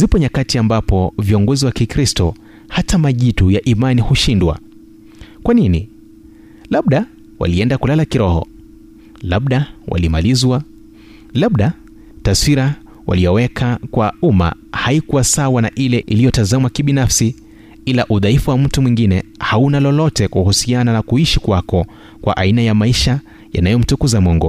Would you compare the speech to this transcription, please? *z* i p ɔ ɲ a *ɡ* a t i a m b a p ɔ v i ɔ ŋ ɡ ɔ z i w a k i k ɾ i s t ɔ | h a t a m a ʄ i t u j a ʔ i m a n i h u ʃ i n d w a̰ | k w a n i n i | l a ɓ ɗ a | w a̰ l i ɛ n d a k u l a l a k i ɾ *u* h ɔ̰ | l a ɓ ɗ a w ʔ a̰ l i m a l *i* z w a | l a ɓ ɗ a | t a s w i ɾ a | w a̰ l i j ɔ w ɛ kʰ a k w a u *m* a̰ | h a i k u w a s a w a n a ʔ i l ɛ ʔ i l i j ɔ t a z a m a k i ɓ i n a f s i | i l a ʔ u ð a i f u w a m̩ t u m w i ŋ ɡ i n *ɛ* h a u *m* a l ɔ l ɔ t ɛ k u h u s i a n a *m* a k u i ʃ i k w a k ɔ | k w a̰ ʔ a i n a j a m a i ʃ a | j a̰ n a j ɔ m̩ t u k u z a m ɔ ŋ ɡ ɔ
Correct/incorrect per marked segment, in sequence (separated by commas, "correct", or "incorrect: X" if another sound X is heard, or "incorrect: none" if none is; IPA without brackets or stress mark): correct, incorrect: k, incorrect: ɔ, correct, correct, correct, incorrect: n, incorrect: n